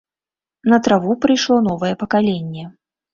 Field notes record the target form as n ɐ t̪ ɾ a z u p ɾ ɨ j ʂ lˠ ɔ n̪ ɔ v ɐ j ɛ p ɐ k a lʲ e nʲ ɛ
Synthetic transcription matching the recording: n ɐ t̪ ɾ a v u p ɾ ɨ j ʂ lˠ ɔ n̪ ɔ v ɐ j ɛ p ɐ k a lʲ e nʲː ɛ